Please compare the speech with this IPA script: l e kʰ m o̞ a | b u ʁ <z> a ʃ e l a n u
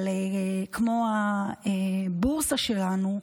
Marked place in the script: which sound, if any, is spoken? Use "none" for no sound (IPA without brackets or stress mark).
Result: s